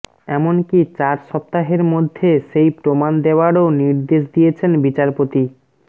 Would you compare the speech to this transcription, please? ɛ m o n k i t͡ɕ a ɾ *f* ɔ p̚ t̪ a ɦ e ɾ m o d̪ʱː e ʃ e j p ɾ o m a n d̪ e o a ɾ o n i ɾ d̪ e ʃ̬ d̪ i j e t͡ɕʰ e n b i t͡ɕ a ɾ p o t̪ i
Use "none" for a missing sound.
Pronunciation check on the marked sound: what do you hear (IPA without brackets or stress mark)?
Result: ʃ